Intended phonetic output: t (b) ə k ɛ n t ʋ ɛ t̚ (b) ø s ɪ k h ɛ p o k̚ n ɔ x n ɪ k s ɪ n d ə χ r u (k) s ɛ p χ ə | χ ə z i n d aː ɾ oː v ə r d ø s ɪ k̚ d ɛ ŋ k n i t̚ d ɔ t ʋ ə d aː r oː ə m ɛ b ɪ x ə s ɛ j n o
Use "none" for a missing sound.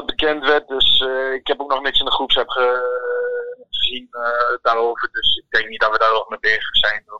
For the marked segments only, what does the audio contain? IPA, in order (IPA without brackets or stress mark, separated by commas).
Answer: b, d, p